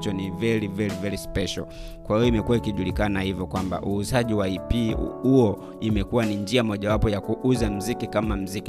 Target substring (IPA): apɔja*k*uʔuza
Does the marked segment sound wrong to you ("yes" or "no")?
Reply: no